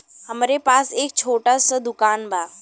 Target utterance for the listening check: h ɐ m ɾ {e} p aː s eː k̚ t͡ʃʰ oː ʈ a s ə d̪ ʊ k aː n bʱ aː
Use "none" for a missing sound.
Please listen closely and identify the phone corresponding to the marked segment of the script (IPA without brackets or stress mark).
e